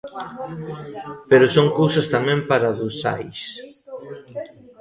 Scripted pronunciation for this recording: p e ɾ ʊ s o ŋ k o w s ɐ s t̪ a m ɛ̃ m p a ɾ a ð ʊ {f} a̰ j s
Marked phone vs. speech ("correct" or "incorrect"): incorrect